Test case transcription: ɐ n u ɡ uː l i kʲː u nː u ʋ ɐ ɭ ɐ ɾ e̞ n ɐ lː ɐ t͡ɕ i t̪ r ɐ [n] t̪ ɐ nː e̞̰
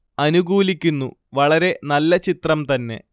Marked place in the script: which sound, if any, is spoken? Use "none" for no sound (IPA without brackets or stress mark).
m